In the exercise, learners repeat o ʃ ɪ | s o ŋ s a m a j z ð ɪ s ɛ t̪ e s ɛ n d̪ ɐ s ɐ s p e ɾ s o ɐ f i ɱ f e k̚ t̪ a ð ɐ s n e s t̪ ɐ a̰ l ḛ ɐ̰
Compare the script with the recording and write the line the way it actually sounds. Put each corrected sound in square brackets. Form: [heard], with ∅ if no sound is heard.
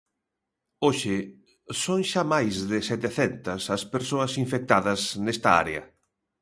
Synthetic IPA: o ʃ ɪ | s o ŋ [ʃ] a m a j z ð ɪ s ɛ t̪ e [θ] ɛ n [t̪] ɐ s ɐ s p e ɾ s o ɐ [s] i ɱ f e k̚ t̪ a ð ɐ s n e s t̪ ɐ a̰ [ɾ] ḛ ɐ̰

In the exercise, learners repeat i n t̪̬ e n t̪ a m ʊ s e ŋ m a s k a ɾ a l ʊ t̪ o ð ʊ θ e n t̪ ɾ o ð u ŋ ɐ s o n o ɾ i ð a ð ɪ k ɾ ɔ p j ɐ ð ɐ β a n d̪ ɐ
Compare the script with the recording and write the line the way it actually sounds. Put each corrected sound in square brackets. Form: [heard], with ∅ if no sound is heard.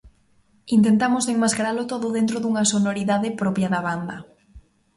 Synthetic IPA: i n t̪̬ e n t̪ a m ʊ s e ŋ m a s k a ɾ a l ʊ t̪ o ð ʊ [ð] e n t̪ ɾ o ð u ŋ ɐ s o n o ɾ i ð a ð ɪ [p] ɾ ɔ p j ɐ ð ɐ β a n d̪ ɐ

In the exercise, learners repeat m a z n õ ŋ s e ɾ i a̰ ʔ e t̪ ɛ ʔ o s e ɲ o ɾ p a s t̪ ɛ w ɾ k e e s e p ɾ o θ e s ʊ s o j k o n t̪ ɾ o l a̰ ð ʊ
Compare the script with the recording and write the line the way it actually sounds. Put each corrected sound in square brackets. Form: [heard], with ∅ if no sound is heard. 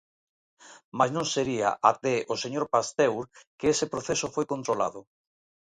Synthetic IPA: m a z n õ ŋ s e ɾ i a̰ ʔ [a] t̪ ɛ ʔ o s e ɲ o ɾ p a s t̪ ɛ w ɾ k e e s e p ɾ o θ e s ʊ [f] o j k o n t̪ ɾ o l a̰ ð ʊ

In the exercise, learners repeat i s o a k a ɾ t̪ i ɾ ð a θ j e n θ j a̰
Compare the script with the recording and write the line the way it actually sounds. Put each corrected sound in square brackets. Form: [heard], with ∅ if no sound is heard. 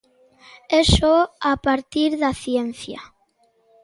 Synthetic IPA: [e] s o a [p] a ɾ t̪ i ɾ ð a θ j e n θ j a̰

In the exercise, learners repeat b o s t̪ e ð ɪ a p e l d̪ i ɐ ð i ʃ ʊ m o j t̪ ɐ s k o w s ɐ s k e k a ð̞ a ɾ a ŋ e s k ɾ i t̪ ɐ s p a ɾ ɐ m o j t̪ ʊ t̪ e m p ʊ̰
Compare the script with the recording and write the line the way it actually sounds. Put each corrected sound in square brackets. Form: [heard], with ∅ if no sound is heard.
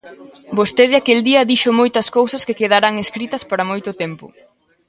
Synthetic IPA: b o s t̪ e ð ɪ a [k] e l d̪ i ɐ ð i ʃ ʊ m o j t̪ ɐ s k o w s ɐ s k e k [e] ð̞ a ɾ a ŋ e s k ɾ i t̪ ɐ s p a ɾ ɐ m o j t̪ ʊ t̪ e m p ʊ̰

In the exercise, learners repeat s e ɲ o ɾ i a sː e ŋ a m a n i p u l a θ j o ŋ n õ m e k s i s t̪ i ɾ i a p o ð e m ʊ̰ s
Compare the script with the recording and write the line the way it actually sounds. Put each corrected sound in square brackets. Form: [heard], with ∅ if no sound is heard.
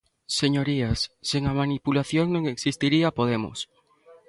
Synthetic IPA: s e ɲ o ɾ i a sː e ŋ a m a n i p u l a θ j o ŋ n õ [ŋ] e k s i s t̪ i ɾ i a p o ð e m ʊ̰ s

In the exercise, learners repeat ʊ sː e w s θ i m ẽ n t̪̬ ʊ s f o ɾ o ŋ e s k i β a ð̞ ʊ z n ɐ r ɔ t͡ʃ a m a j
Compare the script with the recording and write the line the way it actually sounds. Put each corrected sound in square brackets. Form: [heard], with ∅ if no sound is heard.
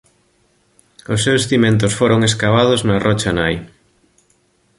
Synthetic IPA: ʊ sː e w s θ i m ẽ n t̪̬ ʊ s f o ɾ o ŋ e s k [a] β a ð̞ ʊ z n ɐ r ɔ t͡ʃ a [n] a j

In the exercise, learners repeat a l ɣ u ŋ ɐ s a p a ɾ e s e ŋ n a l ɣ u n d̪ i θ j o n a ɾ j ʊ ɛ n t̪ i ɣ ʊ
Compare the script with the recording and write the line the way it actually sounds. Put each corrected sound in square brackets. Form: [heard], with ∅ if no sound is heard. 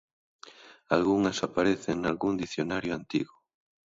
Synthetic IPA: a l ɣ u ŋ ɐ s a p a ɾ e [θ] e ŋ n a l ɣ u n d̪ i θ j o n a ɾ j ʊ [a] n t̪ i ɣ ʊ

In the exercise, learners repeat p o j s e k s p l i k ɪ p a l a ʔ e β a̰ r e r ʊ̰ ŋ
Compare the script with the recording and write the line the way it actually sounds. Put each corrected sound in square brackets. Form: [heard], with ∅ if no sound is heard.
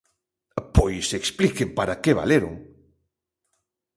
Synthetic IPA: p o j s e k s p l i k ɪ p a [ɾ] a [k] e β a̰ [l] e [ɾ] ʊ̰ ŋ

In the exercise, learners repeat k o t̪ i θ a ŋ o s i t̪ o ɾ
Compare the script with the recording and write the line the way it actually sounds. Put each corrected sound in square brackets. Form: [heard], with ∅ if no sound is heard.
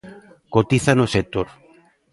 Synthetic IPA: k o t̪ i θ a [n] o s [e] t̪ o ɾ

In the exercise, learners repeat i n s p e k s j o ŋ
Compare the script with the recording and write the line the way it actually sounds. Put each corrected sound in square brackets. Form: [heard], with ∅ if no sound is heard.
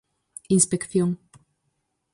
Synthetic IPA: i n s p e k [θ] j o ŋ

